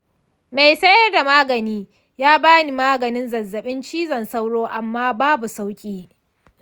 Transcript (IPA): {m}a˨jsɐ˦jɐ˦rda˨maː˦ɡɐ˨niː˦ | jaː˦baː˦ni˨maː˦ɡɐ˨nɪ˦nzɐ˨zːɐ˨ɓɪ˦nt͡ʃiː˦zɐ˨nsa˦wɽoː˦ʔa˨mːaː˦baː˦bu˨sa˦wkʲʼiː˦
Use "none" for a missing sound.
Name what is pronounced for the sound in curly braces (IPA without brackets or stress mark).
m